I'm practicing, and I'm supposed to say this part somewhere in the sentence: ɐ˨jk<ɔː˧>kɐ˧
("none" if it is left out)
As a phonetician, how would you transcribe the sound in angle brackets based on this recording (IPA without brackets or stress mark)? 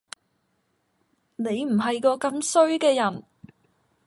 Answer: ɔː˧